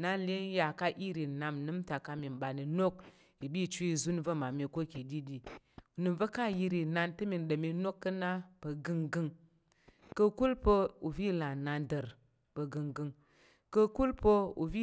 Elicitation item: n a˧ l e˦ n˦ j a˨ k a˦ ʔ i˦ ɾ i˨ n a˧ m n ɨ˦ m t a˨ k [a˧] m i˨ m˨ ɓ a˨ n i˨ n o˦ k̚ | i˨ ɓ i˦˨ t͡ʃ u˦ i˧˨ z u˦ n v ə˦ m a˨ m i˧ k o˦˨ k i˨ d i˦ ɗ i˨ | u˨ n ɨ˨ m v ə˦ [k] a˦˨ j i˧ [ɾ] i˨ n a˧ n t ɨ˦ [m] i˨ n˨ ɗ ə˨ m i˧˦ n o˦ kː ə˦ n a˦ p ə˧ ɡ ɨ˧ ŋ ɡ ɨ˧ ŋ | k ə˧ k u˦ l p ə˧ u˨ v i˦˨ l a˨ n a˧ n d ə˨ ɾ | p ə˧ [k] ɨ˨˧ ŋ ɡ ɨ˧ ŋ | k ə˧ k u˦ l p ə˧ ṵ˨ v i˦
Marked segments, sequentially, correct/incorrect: correct, correct, correct, correct, incorrect

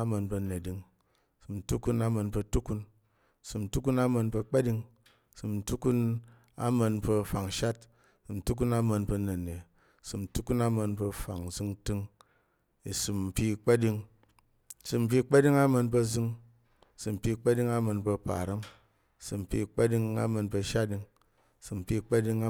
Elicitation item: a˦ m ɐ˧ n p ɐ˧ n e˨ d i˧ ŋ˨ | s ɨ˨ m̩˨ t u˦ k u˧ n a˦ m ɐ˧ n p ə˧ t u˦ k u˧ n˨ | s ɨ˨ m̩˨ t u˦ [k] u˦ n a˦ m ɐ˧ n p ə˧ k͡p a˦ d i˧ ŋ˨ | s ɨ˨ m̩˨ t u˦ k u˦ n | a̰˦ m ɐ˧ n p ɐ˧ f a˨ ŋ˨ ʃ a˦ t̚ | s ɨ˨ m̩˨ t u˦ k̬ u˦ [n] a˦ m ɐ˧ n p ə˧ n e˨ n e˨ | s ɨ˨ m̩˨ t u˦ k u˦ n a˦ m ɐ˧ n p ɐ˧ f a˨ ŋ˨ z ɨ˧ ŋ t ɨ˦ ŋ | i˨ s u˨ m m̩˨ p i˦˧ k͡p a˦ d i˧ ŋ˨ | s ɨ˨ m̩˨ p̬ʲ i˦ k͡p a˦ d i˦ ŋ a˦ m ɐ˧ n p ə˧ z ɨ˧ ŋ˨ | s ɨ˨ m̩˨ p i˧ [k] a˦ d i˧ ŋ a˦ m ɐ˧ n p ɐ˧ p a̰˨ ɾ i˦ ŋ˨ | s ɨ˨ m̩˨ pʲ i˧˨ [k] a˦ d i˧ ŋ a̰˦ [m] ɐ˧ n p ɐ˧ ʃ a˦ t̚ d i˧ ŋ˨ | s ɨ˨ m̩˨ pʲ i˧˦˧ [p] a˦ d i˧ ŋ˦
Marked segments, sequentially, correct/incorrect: correct, correct, incorrect, incorrect, correct, incorrect

